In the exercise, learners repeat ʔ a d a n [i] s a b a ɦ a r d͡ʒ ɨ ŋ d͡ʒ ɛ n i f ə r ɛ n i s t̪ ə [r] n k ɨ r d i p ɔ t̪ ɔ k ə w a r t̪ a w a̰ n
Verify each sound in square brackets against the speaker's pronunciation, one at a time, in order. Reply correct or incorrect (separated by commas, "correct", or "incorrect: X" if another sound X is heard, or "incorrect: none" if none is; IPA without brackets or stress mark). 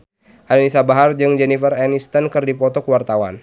correct, incorrect: none